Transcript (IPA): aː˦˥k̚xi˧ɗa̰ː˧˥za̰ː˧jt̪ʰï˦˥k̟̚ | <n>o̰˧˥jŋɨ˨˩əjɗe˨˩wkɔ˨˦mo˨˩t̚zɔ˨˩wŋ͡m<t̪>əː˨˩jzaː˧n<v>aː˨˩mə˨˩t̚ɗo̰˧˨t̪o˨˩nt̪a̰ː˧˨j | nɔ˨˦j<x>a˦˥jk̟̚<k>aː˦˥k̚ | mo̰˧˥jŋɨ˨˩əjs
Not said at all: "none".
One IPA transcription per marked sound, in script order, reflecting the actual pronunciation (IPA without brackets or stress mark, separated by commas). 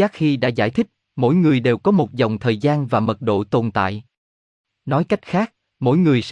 m, t̪ʰ, v, k, x